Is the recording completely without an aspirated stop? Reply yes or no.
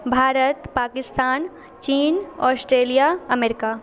yes